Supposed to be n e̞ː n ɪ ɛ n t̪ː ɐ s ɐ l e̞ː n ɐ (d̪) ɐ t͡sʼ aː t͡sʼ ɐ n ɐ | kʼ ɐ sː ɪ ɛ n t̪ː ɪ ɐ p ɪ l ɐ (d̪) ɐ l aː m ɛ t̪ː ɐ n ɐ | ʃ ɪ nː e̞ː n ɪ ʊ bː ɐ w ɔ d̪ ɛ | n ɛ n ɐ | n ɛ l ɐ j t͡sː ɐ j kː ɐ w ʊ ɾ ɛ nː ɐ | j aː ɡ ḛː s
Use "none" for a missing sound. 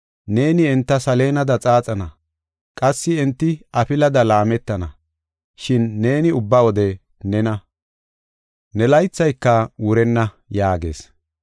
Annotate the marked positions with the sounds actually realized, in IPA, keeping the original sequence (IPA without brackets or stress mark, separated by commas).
d̪, d̪